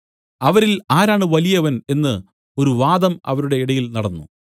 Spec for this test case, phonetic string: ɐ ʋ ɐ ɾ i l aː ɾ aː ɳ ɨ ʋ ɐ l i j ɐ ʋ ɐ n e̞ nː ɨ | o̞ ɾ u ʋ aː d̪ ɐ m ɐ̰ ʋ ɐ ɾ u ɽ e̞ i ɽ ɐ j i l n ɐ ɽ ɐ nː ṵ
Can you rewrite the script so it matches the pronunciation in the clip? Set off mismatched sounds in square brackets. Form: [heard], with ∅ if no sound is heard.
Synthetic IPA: ɐ ʋ ɐ ɾ i l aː ɾ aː ɳ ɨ ʋ ɐ l i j ɐ ʋ ɐ n e̞ nː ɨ | o̞ ɾ u ʋ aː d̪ ɐ m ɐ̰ ʋ ɐ ɾ u ɽ e̞ i ɽ ɐ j i l n ɐ ɽ ɐ nː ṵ